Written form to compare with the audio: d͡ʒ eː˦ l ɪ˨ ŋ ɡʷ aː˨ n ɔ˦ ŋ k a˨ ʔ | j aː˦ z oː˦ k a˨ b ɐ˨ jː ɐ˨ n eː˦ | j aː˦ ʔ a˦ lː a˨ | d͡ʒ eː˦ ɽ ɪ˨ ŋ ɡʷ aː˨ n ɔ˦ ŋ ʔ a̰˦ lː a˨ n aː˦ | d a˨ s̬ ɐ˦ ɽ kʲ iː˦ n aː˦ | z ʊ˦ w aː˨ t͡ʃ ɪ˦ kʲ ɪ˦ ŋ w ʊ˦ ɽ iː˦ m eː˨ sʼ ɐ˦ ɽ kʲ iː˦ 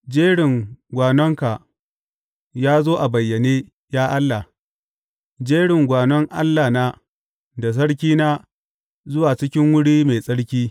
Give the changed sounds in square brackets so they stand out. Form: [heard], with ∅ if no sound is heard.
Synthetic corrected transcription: d͡ʒ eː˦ [ɽ] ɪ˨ ŋ ɡʷ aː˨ n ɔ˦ ŋ k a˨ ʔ | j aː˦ z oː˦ [ʔ] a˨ b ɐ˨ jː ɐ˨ n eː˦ | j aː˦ ʔ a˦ lː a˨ | d͡ʒ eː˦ ɽ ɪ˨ ŋ ɡʷ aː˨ n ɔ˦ ŋ ʔ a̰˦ lː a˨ n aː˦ | d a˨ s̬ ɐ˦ ɽ kʲ iː˦ n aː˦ | z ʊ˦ w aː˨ t͡ʃ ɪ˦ kʲ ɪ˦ ŋ w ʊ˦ ɽ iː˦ m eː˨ sʼ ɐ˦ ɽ kʲ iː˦

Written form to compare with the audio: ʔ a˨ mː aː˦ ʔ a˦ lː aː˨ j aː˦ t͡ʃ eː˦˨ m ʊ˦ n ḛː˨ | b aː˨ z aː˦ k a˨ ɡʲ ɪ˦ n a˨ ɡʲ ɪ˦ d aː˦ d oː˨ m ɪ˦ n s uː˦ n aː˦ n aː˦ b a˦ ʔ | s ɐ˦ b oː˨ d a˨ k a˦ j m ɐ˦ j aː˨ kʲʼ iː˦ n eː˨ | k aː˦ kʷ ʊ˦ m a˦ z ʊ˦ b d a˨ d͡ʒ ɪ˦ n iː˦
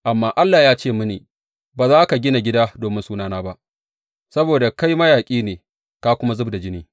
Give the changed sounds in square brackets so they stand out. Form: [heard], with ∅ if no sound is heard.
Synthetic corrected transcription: ʔ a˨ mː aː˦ ʔ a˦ lː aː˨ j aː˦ t͡ʃ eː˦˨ m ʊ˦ n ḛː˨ | b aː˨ z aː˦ k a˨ ɡʲ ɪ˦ n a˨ ɡʲ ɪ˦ d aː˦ d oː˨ m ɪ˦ n s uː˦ n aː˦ n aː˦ b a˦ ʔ | s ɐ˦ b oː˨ d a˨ k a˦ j m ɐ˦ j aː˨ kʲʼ iː˦ n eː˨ | k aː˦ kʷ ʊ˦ m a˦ z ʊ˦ b d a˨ d͡ʒ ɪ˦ n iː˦

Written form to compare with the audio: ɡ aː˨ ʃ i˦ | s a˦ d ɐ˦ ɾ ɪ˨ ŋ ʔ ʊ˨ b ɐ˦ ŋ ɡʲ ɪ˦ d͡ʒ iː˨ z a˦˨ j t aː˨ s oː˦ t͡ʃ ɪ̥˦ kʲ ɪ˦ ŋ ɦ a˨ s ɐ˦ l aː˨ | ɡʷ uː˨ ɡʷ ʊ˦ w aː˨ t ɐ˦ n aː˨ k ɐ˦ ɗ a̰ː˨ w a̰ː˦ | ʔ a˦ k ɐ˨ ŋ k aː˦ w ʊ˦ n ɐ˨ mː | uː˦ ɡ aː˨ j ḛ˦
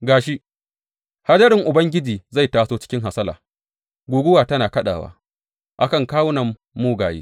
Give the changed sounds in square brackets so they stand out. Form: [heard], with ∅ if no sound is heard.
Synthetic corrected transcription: ɡ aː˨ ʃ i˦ | [h] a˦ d ɐ˦ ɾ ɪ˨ ŋ ʔ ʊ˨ b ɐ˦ ŋ ɡʲ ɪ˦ d͡ʒ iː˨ z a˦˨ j t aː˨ s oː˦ t͡ʃ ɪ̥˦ kʲ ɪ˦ ŋ ɦ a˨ s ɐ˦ l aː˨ | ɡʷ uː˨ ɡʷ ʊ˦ w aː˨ t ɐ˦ n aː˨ k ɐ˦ ɗ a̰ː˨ w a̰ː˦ | ʔ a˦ k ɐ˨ ŋ k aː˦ w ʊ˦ n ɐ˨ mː | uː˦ ɡ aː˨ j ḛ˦

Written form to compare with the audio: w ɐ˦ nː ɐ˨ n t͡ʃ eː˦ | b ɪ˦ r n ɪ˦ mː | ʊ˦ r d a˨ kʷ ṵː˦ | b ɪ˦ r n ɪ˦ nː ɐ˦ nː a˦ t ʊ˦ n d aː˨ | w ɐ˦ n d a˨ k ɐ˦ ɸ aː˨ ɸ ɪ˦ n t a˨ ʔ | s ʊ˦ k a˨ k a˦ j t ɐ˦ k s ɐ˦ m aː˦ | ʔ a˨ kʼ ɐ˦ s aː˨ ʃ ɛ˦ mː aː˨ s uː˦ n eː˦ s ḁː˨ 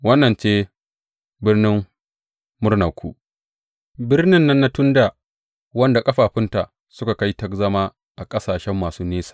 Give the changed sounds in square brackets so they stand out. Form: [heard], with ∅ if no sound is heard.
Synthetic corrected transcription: w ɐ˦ nː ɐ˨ n t͡ʃ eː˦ | b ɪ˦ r n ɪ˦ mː | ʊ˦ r [n] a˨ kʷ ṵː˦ | b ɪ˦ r n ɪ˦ nː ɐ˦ nː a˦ t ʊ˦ n d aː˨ | w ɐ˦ n d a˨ [kʼ] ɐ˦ ɸ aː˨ ɸ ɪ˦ n t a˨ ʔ | s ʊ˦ k a˨ k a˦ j t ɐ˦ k [z] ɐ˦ m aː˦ | ʔ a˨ kʼ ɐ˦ s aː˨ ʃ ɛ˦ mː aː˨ s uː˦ n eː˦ s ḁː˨

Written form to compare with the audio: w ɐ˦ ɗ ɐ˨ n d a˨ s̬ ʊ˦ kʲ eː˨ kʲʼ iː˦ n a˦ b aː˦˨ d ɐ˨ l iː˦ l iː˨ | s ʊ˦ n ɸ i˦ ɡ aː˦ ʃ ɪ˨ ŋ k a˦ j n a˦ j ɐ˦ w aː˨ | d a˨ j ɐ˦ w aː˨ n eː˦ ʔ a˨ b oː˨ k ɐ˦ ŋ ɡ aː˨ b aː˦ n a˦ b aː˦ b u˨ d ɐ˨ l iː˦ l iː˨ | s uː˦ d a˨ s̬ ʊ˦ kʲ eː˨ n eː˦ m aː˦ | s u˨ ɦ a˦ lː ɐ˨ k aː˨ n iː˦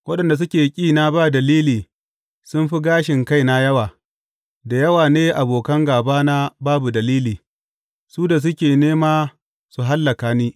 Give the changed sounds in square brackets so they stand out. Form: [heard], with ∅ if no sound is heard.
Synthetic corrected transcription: w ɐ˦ ɗ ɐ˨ n d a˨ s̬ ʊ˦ kʲ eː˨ kʲʼ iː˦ n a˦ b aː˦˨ d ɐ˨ l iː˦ l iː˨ | s ʊ˦ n ɸ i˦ ɡ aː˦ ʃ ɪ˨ ŋ k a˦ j n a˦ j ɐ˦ w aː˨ | d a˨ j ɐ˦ w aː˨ n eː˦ ʔ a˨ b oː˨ k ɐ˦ ŋ ɡ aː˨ b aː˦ n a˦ b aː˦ b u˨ d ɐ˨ l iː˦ l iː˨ | s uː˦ d a˨ s̬ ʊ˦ kʲ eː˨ n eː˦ m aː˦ | s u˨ ɦ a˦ lː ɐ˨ k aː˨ n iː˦

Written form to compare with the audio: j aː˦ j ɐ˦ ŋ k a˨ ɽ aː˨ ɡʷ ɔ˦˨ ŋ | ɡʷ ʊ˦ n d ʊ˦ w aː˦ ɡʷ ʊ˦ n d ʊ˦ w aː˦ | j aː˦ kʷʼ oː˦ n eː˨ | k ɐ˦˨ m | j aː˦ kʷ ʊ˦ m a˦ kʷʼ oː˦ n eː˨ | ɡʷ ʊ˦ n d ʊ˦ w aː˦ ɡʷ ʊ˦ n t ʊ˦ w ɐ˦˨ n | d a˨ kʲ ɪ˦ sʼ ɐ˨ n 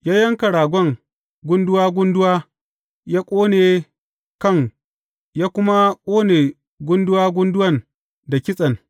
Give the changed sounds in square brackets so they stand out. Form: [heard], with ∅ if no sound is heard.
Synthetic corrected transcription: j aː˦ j ɐ˦ ŋ k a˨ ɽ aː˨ ɡʷ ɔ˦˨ ŋ | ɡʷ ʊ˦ n d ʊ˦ w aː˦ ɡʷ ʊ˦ n d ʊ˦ w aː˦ | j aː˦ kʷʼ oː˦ n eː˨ | k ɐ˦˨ [ŋ] | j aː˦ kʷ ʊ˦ m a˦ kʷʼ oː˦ n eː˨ | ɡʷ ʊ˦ n d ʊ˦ w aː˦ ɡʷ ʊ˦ n [d] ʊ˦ w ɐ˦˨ n | d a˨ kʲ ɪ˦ sʼ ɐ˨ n

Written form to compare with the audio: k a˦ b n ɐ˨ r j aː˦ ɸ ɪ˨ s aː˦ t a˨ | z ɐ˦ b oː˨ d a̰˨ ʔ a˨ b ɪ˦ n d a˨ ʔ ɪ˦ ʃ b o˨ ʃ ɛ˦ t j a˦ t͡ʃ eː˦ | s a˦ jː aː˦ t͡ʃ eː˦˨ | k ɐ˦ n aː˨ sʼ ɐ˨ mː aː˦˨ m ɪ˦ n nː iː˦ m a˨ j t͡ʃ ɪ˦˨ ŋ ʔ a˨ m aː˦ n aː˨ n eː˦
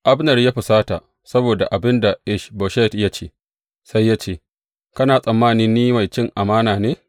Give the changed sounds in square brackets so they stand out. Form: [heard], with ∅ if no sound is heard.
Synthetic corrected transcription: [ʔ] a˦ b n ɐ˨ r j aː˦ ɸ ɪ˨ s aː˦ t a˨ | [s] ɐ˦ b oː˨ d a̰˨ ʔ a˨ b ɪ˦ n d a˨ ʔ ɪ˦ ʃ b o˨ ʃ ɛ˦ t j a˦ t͡ʃ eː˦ | s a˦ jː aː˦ t͡ʃ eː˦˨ | k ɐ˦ n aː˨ sʼ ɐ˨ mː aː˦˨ [n] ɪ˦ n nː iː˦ m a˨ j t͡ʃ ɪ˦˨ ŋ ʔ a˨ m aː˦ n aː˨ n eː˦

